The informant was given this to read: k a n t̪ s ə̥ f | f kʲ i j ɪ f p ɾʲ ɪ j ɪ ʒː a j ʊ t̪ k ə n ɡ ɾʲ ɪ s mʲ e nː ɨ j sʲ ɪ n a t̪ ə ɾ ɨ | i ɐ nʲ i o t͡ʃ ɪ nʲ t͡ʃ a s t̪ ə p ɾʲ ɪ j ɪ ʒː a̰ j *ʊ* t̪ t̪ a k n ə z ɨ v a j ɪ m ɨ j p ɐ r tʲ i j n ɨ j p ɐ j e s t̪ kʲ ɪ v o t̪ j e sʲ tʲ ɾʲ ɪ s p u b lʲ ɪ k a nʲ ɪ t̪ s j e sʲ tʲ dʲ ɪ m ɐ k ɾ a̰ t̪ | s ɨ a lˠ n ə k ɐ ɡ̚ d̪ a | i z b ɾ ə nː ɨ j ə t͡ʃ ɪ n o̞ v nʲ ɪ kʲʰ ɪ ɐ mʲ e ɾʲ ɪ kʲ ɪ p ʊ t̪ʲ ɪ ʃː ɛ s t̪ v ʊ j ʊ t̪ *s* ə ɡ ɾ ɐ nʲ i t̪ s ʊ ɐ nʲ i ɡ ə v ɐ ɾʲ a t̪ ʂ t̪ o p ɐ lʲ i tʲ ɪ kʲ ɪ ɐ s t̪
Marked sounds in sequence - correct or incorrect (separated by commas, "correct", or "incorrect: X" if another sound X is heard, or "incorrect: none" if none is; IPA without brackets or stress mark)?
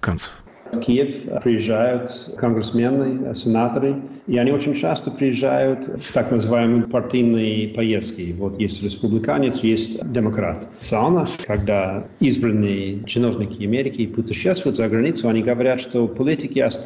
correct, incorrect: z